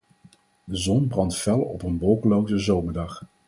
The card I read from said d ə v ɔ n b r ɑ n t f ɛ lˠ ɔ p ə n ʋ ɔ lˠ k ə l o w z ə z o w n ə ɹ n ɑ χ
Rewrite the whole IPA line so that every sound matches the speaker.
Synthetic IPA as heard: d ə z ɔ n b r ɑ n t f ɛ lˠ ɔ p ə n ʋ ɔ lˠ k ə l o w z ə z o w m ə ɹ d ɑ χ